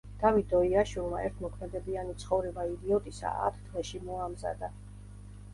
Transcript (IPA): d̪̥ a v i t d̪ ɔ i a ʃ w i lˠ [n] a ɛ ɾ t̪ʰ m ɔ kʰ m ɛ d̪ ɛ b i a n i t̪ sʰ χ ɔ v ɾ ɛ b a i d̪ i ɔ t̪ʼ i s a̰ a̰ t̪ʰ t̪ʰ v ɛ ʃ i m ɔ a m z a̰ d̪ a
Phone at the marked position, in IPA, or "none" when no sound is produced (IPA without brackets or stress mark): m